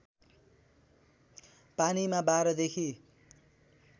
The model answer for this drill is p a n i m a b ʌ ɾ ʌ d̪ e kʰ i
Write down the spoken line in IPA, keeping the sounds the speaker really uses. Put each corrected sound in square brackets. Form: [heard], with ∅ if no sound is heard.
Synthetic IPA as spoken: p a n i m a b [a] ɾ ʌ d̪ e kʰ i

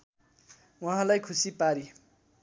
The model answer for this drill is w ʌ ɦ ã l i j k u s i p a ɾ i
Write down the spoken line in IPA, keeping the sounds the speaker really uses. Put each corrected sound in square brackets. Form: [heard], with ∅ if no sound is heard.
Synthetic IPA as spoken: w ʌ ɦ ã l [a] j [kʰ] u s i p a ɾ i

